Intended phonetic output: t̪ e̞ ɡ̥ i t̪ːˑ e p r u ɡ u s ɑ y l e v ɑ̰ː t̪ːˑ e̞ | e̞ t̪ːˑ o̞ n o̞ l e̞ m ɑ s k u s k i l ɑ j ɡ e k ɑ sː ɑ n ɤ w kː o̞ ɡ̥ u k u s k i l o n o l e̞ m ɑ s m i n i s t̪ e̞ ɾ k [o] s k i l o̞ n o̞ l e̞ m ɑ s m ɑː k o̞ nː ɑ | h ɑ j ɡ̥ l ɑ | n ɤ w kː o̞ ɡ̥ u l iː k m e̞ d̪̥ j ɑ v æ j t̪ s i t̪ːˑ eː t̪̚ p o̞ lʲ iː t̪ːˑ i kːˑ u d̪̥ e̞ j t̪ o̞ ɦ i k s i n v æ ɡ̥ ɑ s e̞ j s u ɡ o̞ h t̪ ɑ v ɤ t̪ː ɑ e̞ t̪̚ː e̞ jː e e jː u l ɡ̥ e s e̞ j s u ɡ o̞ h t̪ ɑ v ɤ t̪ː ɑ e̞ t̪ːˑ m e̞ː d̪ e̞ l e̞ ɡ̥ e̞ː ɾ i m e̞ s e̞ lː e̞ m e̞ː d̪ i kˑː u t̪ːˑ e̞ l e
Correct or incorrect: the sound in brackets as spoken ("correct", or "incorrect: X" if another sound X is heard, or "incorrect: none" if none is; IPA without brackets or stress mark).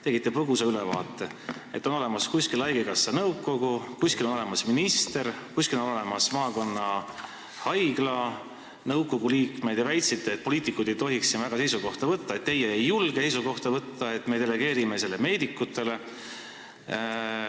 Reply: incorrect: u